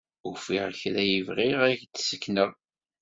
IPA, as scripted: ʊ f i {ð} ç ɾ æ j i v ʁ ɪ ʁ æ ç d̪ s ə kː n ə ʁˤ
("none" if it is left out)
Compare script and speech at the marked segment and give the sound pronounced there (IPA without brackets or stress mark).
ʁ